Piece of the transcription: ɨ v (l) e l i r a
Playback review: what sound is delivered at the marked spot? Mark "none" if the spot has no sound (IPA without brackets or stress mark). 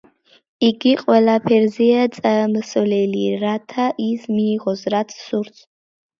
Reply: l